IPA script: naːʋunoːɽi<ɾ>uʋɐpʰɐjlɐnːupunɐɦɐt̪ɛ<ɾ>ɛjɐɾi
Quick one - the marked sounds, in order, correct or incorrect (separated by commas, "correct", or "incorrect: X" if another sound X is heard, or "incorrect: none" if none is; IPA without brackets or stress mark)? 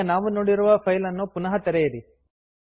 correct, correct